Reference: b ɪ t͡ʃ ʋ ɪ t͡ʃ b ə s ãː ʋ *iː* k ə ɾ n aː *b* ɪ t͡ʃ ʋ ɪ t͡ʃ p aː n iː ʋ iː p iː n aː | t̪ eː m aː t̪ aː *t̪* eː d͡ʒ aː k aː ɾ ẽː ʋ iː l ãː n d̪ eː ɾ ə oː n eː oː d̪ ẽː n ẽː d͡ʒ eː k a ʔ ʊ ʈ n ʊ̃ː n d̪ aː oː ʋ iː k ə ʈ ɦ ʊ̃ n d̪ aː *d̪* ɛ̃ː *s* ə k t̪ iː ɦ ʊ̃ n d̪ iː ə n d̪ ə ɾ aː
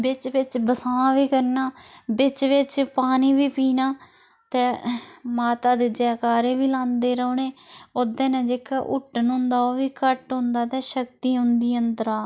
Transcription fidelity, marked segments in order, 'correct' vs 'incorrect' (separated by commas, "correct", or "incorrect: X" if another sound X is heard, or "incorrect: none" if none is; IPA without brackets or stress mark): correct, correct, incorrect: d̪, incorrect: t̪, incorrect: ʃ